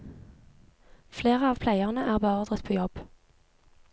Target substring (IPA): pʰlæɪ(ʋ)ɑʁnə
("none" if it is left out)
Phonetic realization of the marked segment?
none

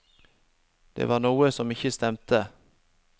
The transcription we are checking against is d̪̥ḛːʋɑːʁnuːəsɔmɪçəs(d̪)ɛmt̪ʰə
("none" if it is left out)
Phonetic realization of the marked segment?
t̪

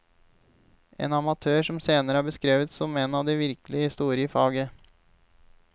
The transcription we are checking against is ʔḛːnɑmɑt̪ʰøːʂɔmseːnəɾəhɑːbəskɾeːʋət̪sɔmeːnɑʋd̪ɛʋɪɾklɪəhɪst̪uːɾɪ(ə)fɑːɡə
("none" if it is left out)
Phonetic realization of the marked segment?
ə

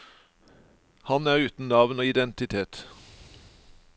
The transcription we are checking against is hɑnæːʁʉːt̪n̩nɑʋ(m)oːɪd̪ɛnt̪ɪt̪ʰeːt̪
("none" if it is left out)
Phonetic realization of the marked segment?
n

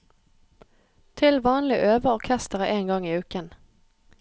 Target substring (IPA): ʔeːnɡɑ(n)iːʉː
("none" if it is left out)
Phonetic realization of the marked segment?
ŋ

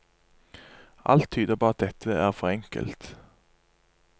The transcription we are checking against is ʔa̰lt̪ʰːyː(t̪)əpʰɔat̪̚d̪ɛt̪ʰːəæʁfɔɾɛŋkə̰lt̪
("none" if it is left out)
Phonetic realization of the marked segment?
d̪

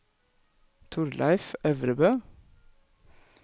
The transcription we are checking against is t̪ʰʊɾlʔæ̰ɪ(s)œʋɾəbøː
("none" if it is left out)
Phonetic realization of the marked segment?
f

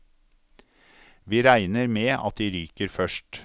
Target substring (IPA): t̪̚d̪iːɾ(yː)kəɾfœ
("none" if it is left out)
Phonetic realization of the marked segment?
yː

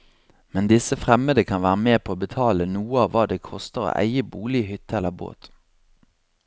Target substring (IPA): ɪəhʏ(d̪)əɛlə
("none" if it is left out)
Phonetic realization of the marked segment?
t̪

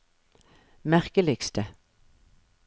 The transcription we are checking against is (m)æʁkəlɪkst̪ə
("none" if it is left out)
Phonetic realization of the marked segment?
m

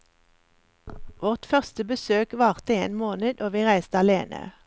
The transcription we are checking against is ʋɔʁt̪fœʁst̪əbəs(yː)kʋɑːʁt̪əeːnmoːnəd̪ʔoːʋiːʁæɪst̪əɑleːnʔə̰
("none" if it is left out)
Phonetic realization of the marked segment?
øː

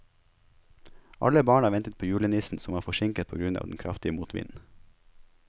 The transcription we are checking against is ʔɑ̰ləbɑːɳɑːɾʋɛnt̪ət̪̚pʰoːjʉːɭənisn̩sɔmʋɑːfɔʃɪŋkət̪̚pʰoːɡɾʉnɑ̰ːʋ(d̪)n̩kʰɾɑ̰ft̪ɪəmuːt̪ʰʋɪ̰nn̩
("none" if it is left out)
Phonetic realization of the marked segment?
d̪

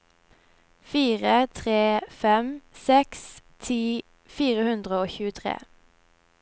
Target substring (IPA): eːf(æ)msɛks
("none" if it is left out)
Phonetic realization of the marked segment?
ɛ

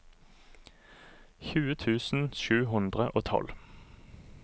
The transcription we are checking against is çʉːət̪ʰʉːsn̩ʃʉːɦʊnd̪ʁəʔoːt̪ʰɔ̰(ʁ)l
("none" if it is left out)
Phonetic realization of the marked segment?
none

